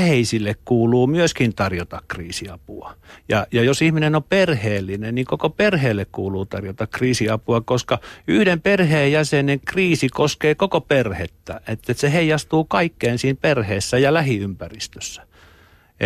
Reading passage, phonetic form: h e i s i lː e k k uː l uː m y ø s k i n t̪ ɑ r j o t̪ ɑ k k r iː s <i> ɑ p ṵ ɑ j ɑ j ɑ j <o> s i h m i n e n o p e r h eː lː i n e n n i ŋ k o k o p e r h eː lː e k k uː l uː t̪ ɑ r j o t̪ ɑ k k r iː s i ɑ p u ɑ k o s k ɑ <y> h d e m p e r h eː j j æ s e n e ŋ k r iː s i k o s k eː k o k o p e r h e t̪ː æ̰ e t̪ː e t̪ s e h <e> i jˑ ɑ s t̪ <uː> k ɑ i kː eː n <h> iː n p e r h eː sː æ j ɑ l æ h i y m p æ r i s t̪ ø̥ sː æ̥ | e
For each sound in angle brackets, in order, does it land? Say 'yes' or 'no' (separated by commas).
yes, yes, yes, yes, yes, no